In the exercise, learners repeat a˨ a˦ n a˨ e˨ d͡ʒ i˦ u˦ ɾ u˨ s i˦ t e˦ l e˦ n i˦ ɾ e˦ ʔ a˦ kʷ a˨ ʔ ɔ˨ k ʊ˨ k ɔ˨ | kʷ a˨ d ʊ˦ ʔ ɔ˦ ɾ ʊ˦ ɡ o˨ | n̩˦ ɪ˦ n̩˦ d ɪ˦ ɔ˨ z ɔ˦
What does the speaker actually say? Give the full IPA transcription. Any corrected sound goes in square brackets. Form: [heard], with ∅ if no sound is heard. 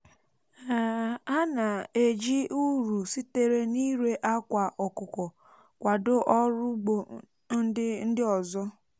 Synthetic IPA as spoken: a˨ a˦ n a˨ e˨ d͡ʒ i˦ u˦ ɾ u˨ s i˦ t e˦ [ɾ] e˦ n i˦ ɾ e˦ ʔ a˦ kʷ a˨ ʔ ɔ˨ k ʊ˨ k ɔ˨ | kʷ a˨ d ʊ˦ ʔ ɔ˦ ɾ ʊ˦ [ɡ͡b] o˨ | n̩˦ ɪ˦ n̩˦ d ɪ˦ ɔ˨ z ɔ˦